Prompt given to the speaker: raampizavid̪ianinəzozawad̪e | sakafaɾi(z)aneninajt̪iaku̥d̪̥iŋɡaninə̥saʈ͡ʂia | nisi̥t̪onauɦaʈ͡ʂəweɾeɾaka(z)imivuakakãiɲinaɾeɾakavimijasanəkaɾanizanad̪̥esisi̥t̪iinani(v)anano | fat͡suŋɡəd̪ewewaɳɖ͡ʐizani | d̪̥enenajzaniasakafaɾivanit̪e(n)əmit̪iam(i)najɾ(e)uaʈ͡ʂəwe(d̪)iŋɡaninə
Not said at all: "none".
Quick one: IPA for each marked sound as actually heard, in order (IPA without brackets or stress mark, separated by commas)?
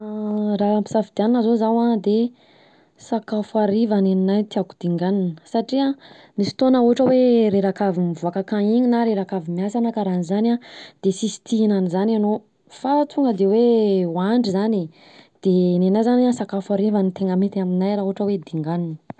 v, v, z, ŋ, i, a, d̪